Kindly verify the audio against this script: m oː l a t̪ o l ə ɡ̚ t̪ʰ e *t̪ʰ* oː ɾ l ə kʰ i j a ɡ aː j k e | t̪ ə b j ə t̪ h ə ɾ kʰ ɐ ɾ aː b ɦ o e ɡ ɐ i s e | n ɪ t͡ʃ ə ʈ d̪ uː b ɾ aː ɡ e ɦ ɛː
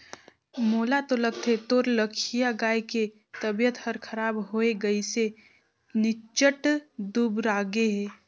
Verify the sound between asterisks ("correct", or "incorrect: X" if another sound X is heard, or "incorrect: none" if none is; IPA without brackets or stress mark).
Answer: incorrect: t̪